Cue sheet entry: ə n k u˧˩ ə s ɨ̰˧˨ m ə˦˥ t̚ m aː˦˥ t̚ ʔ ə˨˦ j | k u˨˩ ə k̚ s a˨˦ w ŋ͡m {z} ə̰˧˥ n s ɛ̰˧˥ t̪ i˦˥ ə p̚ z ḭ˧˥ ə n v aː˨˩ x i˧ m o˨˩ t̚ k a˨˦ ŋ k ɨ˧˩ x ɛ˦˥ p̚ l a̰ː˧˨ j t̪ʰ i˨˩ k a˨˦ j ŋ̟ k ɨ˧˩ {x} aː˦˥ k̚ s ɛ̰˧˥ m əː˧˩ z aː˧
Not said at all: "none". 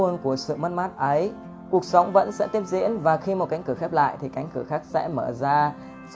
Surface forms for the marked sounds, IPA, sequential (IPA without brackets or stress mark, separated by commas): v, x